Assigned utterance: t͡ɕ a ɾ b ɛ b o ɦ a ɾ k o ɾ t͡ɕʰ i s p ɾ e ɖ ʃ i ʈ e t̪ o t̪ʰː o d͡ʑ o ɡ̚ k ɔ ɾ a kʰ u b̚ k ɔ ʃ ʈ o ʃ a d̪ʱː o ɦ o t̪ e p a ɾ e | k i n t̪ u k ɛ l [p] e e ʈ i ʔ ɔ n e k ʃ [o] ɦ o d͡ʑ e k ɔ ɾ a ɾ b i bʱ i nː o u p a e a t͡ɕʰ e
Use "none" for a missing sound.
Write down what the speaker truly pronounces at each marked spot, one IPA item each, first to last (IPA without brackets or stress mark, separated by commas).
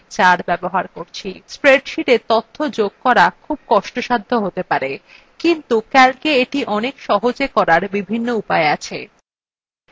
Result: k, ɔ